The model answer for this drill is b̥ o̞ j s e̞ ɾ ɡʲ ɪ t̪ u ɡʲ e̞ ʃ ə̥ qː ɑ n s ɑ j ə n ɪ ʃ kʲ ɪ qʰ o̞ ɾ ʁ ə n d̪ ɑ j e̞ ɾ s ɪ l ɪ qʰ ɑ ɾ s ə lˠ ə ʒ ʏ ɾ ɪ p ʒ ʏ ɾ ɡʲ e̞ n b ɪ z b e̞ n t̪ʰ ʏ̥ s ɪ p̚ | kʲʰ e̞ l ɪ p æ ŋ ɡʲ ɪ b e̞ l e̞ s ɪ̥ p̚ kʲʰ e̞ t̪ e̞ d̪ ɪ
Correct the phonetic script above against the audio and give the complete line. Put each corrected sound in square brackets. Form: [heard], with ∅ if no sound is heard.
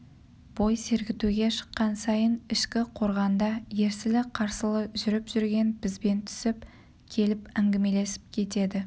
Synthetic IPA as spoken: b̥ o̞ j s e̞ ɾ ɡʲ ɪ t̪ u ɡʲ e̞ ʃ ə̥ qː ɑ n s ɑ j ə n ɪ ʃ kʲ ɪ qʰ o̞ ɾ ʁ [ɑ] n d̪ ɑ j e̞ ɾ s ɪ l ɪ qʰ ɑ ɾ s ə lˠ ə ʒ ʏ ɾ ɪ p ʒ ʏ ɾ ɡʲ e̞ n b ɪ z b e̞ n t̪ʰ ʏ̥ s ɪ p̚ | kʲʰ e̞ l ɪ p æ ŋ ɡʲ ɪ [m] e̞ l e̞ s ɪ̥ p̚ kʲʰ e̞ t̪ e̞ d̪ ɪ

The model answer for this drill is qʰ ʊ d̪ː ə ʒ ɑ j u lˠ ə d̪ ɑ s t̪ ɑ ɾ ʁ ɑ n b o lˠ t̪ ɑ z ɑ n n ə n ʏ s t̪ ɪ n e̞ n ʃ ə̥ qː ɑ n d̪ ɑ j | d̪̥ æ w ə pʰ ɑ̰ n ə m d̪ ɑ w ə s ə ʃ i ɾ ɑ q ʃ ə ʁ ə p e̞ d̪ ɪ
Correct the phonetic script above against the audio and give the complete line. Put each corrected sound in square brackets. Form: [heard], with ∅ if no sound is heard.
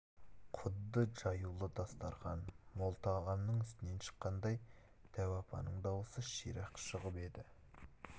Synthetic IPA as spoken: qʰ ʊ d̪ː ə ʒ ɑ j u lˠ ə d̪ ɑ s t̪ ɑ ɾ ʁ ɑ n [m] o lˠ t̪ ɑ [ʁ] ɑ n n ə [ɴ] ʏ s t̪ ɪ n e̞ n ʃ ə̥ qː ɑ n d̪ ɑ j | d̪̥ æ w [ɑ] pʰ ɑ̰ n ə [ɴ] d̪ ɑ w ə s ə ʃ i ɾ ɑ q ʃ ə ʁ ə p e̞ d̪ ɪ

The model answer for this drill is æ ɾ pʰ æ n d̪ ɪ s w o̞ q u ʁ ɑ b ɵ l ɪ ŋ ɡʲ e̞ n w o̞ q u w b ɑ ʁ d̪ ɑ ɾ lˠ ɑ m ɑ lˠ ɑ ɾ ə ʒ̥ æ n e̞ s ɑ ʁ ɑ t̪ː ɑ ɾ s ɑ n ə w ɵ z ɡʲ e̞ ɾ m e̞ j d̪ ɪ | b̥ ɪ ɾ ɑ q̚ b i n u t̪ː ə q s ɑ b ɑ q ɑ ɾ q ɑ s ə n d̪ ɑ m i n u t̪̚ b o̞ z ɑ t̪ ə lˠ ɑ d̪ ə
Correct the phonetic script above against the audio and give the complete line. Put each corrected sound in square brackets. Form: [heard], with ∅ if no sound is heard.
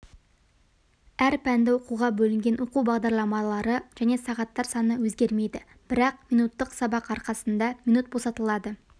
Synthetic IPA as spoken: æ ɾ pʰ æ n d̪ ɪ [∅] w o̞ q u ʁ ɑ b ɵ l ɪ ŋ ɡʲ e̞ n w o̞ q u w b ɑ ʁ d̪ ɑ ɾ lˠ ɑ m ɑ lˠ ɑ ɾ ə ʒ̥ æ n e̞ s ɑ ʁ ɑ t̪ː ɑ ɾ s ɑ n ə w ɵ z ɡʲ e̞ ɾ m e̞ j d̪ ɪ | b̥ ɪ ɾ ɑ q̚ [m] i n u t̪ː ə q s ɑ b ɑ q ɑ ɾ q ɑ s ə n d̪ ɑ m i n u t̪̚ b o̞ [s] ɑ t̪ ə lˠ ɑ d̪ ə

